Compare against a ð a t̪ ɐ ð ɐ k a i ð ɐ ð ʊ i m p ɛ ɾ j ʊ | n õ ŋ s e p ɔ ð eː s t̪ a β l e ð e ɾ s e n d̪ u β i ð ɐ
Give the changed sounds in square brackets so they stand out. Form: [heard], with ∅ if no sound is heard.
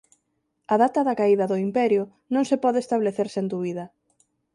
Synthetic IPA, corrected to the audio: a ð a t̪ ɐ ð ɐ k a i ð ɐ ð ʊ i m p ɛ ɾ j ʊ | n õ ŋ s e p ɔ ð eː s t̪ a β l e [θ] e ɾ s e n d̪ u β i ð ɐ